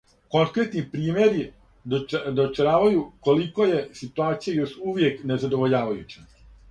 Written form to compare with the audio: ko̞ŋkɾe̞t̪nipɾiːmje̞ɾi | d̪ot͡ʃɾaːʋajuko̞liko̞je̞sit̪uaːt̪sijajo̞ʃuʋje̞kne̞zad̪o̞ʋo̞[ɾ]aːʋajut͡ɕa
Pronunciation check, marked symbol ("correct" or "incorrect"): incorrect